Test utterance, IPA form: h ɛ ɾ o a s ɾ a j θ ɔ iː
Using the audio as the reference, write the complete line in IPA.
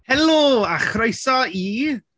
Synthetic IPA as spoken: h ɛ l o a χ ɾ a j s ɔ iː

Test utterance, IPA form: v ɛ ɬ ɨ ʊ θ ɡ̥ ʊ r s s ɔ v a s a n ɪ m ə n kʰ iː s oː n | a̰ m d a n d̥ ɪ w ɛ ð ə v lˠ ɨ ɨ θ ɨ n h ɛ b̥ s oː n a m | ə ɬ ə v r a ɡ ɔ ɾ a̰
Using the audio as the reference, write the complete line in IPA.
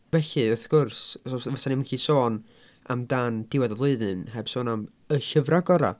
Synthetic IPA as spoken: v ɛ ɬ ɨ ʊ θ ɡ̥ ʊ r s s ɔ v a s a n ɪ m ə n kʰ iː s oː n | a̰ m d a n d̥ ɪ w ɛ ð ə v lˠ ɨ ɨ ð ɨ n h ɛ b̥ s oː n a m | ə ɬ ə v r a ɡ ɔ ɾ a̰

